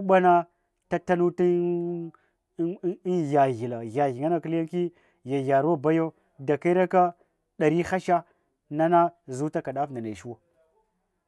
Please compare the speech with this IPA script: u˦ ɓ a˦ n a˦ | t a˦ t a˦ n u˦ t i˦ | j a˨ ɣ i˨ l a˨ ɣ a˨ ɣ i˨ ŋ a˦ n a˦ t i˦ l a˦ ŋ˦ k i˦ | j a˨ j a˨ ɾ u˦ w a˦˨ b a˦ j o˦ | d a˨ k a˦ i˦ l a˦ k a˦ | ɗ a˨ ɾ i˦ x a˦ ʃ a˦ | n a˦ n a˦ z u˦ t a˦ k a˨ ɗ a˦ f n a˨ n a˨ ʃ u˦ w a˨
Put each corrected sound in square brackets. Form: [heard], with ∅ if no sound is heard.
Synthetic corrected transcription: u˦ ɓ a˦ n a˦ | t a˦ t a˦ n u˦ t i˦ | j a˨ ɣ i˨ l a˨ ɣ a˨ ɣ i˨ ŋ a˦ n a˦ [k] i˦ l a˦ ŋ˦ k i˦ | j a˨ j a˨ ɾ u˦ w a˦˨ b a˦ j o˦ | d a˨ k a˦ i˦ [ɾ] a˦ k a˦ | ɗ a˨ ɾ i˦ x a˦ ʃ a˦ | n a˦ n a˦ z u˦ t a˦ k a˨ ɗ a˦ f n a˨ n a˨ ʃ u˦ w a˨